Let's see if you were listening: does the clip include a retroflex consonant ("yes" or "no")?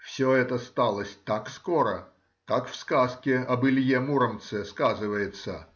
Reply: no